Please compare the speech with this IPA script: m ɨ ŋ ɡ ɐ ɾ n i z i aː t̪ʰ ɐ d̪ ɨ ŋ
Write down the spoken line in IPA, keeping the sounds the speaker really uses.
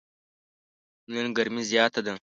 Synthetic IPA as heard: n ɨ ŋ ɡ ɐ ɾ m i z j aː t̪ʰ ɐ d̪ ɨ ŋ